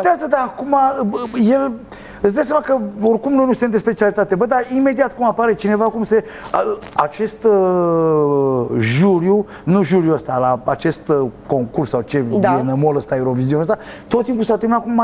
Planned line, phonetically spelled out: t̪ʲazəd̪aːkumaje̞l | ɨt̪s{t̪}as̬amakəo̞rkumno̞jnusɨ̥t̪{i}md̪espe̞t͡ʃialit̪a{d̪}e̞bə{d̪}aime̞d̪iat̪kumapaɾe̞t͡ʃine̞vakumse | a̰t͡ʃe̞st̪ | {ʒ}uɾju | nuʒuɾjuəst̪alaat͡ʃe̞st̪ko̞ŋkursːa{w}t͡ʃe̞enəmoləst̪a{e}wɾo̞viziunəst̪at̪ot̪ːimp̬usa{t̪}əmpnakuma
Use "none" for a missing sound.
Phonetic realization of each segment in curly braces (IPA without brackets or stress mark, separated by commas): d̪, e, t̪, d̪, ʒ, w, e, t̪